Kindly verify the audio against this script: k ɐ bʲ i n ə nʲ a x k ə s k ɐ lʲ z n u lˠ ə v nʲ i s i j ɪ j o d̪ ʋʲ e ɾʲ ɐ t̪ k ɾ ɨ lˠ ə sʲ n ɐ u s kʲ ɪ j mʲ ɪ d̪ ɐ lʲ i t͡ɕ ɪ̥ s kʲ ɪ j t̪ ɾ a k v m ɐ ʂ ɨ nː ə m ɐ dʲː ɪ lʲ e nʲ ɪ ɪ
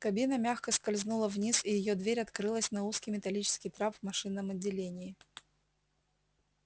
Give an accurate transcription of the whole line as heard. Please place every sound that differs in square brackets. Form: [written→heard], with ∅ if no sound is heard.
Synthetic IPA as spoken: k ɐ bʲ i n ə [nʲ→mʲ] a x k ə s k ɐ lʲ z n u lˠ ə v nʲ i s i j ɪ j o d̪ [ʋʲ→vʲ] e ɾʲ ɐ t̪ k ɾ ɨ lˠ ə sʲ n ɐ u s kʲ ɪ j mʲ ɪ [d̪→t̪] ɐ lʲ i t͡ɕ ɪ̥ s kʲ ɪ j t̪ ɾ a [k→p] v m ɐ ʂ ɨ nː ə m ɐ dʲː ɪ lʲ e nʲ ɪ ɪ